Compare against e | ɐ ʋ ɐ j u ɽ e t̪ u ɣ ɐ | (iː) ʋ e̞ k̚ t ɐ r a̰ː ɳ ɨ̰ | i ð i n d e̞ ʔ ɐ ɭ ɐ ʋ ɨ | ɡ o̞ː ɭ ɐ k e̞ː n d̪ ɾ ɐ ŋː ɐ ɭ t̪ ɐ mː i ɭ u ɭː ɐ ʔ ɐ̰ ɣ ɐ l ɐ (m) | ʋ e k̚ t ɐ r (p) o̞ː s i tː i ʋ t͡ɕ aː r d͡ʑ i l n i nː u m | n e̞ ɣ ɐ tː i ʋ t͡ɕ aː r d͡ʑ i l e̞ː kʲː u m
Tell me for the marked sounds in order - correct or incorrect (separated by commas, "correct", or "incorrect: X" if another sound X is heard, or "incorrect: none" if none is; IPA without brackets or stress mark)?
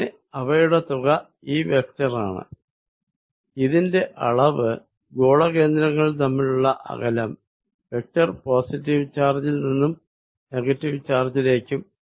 correct, correct, correct